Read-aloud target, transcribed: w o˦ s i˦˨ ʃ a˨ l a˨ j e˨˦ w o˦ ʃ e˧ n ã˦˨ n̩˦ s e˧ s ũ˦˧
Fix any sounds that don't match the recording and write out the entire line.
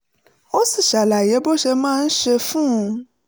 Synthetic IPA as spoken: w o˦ s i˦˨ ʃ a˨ l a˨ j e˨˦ b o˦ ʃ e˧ m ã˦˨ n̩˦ ʃ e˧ f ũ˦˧

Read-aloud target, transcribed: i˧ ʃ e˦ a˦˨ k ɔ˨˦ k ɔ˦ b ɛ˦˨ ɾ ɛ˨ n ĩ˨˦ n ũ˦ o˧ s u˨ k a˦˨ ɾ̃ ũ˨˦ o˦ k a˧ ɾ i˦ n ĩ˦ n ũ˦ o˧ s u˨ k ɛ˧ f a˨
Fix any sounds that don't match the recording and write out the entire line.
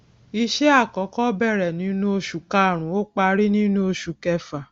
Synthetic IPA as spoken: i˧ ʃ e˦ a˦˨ k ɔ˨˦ k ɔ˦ b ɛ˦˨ ɾ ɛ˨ n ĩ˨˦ n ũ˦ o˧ ʃ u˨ k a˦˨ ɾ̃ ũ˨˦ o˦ k͡p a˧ ɾ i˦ n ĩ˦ n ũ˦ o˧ ʃ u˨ k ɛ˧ f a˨

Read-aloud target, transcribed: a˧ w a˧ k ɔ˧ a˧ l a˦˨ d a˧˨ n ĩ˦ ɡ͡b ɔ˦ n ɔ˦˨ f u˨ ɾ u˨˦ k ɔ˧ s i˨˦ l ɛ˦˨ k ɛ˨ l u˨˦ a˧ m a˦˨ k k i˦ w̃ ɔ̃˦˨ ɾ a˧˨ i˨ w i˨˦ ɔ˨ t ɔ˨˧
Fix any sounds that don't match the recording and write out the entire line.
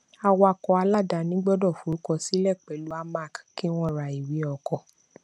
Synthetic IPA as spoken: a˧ w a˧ k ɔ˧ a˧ l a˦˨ d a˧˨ n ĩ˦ ɡ͡b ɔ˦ d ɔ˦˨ f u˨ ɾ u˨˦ k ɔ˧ s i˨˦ l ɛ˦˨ k͡p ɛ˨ l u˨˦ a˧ m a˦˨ k k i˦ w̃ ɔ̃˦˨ ɾ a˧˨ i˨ w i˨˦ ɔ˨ k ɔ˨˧

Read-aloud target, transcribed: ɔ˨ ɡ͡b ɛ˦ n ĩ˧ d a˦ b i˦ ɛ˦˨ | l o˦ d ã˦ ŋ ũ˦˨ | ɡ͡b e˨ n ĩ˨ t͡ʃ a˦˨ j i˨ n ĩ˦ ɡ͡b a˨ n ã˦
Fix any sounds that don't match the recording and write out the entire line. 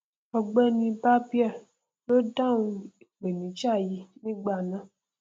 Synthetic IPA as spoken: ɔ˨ ɡ͡b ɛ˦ n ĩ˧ b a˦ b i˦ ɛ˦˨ | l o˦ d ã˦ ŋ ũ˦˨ | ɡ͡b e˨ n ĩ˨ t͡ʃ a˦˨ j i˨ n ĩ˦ ɡ͡b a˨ n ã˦

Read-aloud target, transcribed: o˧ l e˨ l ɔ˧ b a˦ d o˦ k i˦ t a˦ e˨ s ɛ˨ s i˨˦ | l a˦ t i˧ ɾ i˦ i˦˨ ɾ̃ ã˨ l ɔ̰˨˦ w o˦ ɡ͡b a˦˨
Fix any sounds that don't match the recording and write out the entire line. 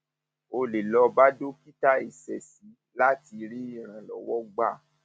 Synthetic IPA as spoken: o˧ l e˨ l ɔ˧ b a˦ d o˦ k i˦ t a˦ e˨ s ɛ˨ s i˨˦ | l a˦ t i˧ ɾ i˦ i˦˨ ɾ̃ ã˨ l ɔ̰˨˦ w ɔ˦ ɡ͡b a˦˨

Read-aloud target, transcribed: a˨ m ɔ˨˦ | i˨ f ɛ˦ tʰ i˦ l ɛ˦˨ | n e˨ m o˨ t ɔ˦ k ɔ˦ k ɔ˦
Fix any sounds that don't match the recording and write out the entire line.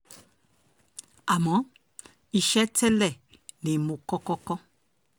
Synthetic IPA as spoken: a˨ m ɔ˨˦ | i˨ ʃ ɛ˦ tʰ ɛ˦ l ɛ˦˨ | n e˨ m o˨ k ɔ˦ k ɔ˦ k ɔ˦

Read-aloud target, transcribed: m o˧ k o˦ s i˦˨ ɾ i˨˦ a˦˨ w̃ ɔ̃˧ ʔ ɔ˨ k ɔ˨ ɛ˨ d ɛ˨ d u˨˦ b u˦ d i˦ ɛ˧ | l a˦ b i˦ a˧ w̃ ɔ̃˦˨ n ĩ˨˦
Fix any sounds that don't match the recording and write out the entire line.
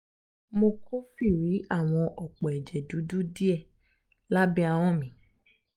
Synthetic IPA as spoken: m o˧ k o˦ f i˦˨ ɾ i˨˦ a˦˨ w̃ ɔ̃˧ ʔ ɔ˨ k͡p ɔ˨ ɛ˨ d͡ʒ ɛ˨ d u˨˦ d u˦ d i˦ ɛ˧ | l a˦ b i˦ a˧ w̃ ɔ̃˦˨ m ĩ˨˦

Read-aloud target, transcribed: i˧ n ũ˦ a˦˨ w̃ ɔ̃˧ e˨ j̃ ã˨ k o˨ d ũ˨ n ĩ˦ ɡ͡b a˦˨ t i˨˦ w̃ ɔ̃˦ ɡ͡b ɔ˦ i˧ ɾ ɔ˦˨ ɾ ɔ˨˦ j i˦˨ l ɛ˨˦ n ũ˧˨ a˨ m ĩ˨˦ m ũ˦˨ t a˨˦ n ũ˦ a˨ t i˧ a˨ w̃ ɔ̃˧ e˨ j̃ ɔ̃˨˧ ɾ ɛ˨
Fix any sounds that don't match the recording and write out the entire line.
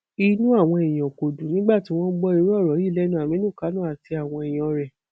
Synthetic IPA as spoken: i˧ n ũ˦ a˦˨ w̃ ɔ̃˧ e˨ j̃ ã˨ k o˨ d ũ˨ n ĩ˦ ɡ͡b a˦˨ t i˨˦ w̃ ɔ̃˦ ɡ͡b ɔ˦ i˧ ɾ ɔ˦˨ ɾ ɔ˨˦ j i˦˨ l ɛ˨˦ n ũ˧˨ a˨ m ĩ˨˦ n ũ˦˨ k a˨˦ n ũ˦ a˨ t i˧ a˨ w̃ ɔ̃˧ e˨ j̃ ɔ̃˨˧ ɾ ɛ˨

